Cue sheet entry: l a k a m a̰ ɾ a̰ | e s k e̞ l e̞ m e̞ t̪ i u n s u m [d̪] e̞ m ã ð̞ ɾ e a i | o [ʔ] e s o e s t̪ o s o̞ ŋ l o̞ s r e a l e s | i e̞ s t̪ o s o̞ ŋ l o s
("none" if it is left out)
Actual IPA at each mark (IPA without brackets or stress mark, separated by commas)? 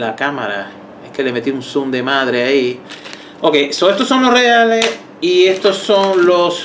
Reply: d̪, k